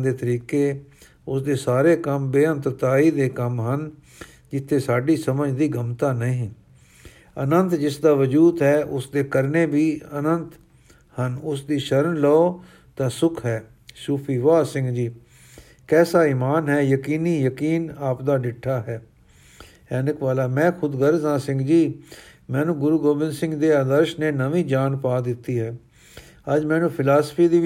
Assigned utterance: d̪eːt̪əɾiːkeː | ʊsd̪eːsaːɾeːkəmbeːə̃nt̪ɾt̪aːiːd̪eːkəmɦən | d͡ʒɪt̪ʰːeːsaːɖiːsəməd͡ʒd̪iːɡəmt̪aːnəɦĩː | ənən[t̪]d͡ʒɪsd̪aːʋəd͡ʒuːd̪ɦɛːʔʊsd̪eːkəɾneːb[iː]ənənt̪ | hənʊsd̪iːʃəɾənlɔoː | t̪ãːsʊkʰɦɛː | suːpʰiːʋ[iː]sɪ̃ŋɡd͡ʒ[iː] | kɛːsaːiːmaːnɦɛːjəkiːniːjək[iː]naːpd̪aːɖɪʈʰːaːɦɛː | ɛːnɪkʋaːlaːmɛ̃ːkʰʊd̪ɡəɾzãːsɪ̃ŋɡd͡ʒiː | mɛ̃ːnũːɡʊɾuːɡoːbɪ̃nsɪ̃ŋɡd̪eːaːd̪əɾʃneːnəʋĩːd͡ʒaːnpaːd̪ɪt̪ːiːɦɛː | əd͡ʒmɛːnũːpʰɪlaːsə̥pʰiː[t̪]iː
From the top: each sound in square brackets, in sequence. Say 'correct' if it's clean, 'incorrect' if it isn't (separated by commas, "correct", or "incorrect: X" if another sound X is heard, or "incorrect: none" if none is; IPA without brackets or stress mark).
correct, correct, incorrect: aː, correct, correct, incorrect: d̪